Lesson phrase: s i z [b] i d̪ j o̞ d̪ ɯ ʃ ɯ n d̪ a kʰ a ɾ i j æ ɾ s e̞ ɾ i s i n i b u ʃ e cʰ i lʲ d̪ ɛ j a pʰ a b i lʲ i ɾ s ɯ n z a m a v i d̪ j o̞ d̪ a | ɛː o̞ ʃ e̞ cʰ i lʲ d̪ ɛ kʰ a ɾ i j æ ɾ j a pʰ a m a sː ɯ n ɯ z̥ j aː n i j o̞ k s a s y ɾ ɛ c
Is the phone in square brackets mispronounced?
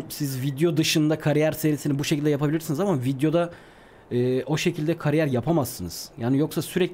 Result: yes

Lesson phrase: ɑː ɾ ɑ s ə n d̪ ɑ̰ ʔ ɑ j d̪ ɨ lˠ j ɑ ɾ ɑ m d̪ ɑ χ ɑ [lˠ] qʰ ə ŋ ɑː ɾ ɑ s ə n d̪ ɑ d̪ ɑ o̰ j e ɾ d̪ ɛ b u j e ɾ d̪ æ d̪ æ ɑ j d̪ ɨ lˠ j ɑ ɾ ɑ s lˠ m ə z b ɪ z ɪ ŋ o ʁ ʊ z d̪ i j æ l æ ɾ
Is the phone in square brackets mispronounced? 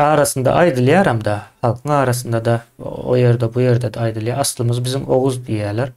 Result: no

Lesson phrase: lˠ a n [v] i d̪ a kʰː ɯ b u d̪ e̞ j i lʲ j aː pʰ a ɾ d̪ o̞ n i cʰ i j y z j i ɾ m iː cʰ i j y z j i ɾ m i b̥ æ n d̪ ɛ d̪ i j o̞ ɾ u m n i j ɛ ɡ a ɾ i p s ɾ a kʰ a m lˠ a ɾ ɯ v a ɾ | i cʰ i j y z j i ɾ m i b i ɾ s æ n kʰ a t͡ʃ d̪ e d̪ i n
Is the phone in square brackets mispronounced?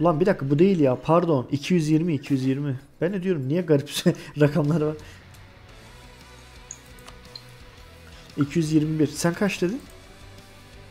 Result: yes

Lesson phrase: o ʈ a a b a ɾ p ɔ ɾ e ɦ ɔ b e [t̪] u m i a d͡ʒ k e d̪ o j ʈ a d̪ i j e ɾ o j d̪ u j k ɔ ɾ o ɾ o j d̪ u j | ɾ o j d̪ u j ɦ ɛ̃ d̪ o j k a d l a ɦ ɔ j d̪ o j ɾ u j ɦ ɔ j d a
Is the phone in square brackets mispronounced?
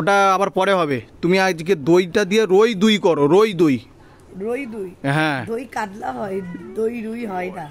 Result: no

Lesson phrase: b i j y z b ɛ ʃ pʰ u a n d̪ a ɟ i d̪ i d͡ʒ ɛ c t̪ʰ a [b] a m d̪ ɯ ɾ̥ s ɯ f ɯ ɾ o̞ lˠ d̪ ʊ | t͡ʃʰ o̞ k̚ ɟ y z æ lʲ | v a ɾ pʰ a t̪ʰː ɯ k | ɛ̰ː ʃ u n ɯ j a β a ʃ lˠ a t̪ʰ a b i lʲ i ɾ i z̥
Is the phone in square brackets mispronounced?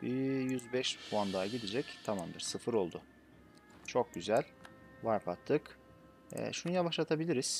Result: yes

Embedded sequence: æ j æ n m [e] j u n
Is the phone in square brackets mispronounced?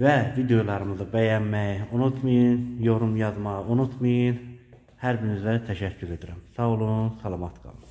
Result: yes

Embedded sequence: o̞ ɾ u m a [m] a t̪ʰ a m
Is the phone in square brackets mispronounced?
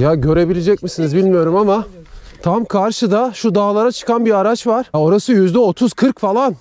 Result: no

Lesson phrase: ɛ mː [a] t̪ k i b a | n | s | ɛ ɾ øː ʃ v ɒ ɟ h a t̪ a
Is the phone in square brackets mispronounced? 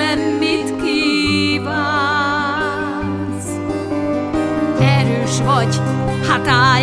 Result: yes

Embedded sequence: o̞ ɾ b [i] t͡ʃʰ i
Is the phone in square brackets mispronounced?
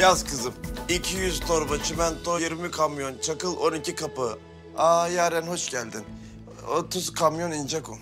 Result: yes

